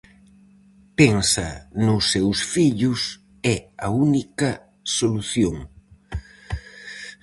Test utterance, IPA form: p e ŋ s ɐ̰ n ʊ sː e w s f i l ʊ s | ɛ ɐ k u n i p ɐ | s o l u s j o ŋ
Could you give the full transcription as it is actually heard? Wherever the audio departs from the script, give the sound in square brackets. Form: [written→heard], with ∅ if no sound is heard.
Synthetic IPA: p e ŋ s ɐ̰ n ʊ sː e w s f i [l→ʎ] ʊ s | ɛ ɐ [k→∅] u n i [p→k] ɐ | s o l u [s→θ] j o ŋ